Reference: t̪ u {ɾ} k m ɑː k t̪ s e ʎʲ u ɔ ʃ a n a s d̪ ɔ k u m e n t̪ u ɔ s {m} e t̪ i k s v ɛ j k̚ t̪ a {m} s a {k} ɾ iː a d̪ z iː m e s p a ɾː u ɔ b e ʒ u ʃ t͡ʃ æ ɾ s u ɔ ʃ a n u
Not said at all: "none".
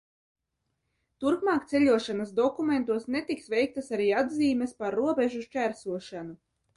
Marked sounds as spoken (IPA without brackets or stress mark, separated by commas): ɾ, n, none, none